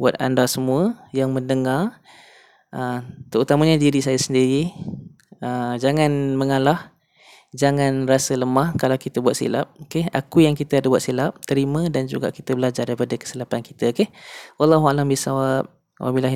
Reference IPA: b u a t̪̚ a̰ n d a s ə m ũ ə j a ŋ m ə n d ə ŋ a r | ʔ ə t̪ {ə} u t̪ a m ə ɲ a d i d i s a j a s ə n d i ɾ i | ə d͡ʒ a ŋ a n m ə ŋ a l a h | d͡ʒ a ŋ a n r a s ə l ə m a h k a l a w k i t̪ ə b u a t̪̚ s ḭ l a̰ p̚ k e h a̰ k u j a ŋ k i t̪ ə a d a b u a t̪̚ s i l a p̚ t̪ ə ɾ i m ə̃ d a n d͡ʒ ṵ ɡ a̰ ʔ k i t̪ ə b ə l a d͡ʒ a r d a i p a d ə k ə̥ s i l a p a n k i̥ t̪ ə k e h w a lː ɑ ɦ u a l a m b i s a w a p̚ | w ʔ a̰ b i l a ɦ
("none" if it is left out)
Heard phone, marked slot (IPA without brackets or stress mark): ə